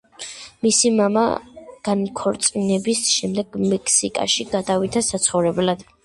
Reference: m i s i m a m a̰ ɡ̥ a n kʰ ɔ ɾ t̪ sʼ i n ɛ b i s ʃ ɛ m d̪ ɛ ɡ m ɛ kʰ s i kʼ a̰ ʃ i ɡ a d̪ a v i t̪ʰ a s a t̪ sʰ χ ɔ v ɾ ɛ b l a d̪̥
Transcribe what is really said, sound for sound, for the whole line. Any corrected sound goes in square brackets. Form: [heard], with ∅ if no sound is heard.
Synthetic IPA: m i s i m a m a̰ ɡ̥ a n kʰ ɔ ɾ t̪ sʼ i n ɛ b i s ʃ ɛ m d̪ ɛ ɡ m ɛ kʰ s i kʼ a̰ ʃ i ɡ a d̪ a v i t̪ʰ a s a t̪ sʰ χ ɔ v ɾ ɛ b l a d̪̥